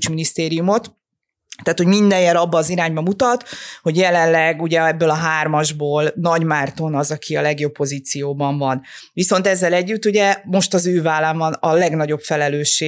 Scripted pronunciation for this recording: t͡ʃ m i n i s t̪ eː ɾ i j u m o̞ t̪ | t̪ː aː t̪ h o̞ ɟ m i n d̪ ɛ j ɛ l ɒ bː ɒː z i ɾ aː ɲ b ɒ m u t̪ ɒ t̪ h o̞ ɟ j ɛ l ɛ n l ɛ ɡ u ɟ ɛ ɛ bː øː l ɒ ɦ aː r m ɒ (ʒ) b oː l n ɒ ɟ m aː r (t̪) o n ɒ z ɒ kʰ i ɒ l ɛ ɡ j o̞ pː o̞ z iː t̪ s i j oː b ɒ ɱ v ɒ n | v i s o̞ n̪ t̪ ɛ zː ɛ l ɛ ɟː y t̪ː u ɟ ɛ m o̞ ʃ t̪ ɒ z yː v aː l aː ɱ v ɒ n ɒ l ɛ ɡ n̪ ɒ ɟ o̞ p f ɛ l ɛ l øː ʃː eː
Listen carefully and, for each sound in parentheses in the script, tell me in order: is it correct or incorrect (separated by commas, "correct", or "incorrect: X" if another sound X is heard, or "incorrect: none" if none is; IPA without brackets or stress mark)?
correct, correct